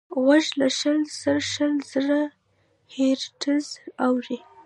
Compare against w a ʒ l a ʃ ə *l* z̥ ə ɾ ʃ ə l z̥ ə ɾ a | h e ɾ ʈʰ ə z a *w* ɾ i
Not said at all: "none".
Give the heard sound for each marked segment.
l, w

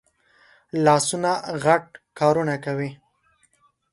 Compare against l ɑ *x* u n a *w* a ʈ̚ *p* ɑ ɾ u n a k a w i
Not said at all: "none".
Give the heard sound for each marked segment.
s, ɣ, k

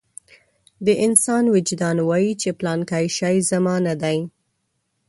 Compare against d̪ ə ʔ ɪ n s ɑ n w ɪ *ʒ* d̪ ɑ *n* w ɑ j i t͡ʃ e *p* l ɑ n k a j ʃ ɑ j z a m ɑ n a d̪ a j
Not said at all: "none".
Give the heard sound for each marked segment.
d͡ʒ, n, p

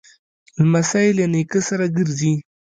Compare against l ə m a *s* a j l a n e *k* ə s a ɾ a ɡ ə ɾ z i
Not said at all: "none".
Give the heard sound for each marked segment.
s, k

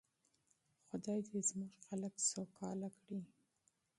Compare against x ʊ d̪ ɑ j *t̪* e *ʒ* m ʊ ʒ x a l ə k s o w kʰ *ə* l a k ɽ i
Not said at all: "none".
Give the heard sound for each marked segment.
d̪, z, ɑ

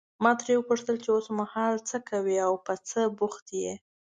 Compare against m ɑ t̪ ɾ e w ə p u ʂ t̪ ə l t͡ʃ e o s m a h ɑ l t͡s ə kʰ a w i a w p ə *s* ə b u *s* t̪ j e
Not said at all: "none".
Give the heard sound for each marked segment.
t͡s, x

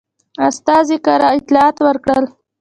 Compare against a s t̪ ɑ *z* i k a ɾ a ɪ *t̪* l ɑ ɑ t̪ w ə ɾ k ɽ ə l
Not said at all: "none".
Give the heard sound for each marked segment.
z, t̪

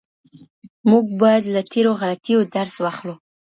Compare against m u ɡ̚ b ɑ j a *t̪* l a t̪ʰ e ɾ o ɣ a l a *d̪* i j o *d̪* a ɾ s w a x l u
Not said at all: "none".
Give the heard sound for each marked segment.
d̪, t̪, d̪

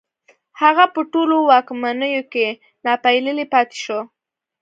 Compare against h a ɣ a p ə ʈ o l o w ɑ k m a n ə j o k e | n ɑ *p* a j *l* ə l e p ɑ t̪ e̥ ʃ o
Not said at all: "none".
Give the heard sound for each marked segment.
p, l

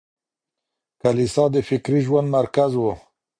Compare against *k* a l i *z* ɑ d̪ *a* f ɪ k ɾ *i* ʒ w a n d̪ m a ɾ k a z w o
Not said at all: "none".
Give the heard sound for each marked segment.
k, s, ə, i

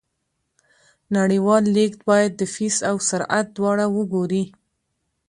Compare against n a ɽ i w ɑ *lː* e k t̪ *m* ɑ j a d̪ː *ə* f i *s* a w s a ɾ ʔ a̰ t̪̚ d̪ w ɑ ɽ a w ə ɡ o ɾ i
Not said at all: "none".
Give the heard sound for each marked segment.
lː, b, ə, s

